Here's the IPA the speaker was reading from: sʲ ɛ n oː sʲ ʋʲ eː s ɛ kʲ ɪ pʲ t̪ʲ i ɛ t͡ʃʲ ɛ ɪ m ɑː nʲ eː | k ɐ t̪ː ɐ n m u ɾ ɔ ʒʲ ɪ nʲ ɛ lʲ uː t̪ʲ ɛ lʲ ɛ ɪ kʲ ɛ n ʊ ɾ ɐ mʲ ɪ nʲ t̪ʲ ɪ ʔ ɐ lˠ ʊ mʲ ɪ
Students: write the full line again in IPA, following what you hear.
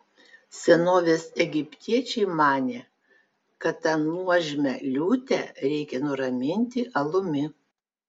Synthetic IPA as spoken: sʲ ɛ n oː ʋʲ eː s ɛ ɡʲ ɪ pʲ t̪ʲ i ɛ t͡ʃʲ ɛ ɪ m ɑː nʲ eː | k ɐ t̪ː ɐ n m u ɔ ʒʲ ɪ mʲ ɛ lʲ uː t̪ʲ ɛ ɾʲ ɛ ɪ kʲ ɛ n ʊ ɾ ɐ mʲ ɪ nʲ t̪ʲ ɪ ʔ ɐ lˠ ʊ mʲ ɪ